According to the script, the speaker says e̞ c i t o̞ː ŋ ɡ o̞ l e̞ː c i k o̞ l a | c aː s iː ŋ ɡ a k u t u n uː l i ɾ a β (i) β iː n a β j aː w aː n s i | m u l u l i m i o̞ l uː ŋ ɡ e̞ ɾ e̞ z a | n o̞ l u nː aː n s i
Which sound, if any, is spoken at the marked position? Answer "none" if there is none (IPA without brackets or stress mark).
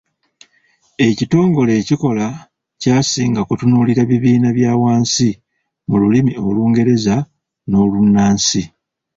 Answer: i